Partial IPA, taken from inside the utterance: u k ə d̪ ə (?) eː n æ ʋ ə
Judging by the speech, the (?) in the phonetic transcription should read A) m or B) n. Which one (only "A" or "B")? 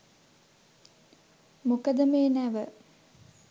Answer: A